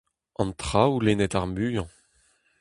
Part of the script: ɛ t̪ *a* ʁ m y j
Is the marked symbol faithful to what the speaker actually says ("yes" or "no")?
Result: yes